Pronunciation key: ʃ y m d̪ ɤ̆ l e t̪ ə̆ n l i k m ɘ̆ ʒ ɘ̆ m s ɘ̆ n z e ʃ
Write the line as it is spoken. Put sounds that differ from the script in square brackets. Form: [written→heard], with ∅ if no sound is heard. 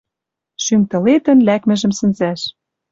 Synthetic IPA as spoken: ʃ y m [d̪→t̪] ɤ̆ l e t̪ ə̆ n l [i→æ] k m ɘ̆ ʒ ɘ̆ m s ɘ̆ n z [e→æ] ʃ